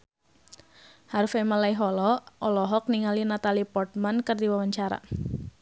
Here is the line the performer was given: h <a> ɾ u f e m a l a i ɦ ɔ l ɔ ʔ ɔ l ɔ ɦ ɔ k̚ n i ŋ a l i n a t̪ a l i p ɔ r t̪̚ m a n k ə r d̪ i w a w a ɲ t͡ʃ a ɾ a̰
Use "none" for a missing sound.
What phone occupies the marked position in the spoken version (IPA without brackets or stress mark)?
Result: a